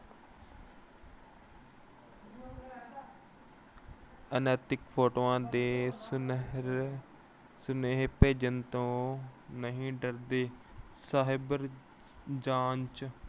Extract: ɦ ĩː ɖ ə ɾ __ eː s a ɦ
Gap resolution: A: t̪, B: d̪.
B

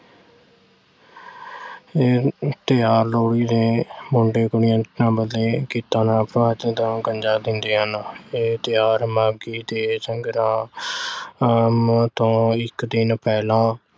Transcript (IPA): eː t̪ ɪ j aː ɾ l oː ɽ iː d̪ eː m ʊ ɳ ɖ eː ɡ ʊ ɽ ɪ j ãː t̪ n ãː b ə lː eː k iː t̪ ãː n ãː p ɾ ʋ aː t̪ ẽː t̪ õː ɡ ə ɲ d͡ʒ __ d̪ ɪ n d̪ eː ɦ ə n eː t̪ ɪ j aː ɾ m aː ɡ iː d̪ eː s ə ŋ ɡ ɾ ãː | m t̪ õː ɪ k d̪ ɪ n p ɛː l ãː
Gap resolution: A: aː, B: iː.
A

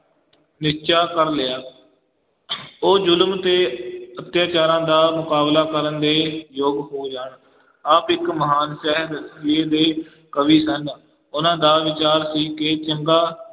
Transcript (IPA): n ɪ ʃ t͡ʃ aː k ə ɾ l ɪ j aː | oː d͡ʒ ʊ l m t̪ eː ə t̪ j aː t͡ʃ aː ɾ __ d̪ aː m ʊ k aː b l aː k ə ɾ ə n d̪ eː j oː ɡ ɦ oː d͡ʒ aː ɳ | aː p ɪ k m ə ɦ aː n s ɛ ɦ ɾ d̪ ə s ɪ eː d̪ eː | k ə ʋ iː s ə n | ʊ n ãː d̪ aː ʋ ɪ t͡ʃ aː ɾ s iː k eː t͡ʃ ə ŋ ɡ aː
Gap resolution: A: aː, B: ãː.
B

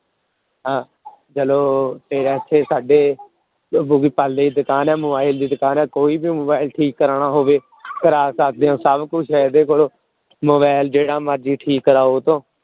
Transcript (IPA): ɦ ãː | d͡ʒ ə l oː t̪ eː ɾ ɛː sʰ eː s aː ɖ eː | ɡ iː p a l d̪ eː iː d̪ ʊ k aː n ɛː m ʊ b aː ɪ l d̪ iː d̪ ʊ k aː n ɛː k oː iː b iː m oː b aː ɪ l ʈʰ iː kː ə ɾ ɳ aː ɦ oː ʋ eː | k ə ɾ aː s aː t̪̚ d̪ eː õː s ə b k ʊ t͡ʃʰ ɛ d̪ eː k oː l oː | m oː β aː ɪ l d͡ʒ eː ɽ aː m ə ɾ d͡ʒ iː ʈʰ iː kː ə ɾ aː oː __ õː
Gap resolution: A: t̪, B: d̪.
A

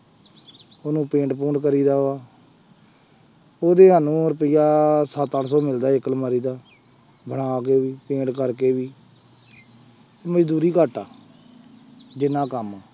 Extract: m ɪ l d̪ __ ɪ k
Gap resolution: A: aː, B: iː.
A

